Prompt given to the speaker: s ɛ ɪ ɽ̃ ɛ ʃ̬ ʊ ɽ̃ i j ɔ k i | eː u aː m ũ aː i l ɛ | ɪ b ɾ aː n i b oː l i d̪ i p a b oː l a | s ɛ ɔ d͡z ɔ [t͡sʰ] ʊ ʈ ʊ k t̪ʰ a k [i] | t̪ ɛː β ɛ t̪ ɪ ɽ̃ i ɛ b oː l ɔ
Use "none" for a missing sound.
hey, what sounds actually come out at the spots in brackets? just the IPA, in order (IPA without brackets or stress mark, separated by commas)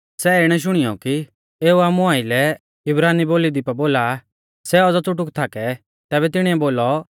t͡s, ɛ